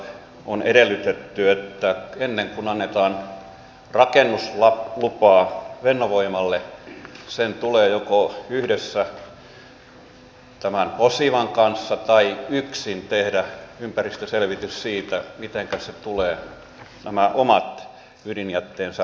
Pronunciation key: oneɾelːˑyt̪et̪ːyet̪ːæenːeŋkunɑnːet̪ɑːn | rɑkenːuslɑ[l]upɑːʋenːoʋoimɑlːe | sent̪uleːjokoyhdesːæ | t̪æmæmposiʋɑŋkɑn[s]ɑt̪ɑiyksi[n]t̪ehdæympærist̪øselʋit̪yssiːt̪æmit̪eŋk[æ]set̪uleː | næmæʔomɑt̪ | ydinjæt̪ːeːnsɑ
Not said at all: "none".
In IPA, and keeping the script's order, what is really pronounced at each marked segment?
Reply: l, sː, n, æ

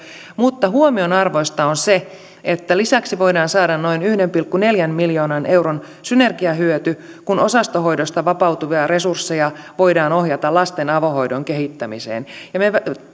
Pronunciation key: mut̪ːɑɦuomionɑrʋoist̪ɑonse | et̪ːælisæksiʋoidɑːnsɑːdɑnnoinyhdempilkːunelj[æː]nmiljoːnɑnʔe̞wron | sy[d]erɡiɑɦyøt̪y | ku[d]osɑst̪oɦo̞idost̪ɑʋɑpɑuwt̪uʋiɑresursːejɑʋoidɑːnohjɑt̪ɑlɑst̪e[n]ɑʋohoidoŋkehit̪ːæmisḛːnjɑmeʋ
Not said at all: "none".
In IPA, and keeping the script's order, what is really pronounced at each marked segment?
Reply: æ, n, n, n

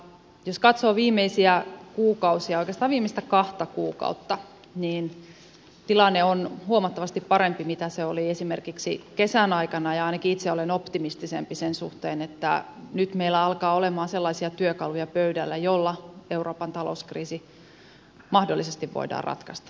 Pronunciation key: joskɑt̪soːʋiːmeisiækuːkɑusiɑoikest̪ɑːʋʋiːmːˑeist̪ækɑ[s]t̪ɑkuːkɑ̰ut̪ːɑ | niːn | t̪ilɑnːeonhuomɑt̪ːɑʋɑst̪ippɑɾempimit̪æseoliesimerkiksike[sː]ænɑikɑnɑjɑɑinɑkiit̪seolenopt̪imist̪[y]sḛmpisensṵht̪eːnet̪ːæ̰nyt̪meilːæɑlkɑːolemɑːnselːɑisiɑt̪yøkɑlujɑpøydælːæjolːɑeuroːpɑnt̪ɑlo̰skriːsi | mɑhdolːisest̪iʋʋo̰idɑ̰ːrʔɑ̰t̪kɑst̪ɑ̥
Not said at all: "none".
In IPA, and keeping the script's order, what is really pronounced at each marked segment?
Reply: h, s, i

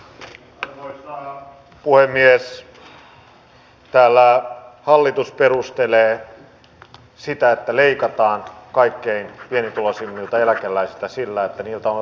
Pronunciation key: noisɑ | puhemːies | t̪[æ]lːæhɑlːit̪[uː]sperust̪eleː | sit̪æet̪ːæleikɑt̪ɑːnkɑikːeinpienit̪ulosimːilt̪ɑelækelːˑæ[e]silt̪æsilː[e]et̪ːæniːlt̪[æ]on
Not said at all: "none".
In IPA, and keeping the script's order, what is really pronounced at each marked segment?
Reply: æː, u, i, æ, æ

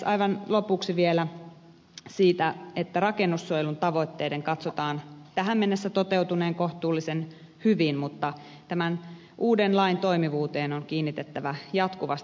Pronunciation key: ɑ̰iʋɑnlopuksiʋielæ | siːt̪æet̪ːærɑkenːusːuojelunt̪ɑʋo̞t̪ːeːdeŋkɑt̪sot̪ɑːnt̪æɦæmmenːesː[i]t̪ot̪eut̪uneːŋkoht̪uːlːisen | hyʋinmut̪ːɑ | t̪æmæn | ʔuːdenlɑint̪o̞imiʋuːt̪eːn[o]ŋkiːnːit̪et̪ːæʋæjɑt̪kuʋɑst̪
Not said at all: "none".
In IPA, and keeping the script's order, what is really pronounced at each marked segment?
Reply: æ, o

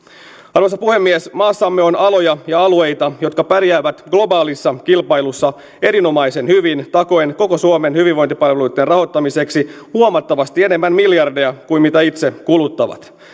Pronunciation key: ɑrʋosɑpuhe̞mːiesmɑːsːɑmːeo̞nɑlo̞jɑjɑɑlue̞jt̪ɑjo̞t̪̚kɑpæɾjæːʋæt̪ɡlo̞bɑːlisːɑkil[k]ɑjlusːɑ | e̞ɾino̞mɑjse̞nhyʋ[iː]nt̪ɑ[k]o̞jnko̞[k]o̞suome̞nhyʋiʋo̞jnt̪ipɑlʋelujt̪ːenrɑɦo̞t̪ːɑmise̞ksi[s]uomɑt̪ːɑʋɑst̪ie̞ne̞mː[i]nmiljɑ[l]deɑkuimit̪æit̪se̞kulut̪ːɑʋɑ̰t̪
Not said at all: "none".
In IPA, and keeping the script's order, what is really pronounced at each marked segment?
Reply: p, i, k, k, h, æ, r

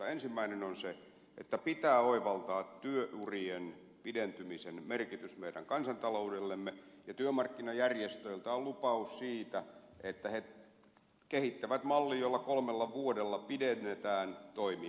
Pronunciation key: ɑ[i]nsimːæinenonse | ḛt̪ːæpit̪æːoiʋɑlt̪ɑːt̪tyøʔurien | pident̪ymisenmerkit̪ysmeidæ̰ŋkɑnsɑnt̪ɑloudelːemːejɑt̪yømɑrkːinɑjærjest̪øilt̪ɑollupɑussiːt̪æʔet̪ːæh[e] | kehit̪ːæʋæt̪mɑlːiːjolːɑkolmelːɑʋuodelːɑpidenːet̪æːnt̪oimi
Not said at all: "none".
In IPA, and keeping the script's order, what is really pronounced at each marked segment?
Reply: e, e

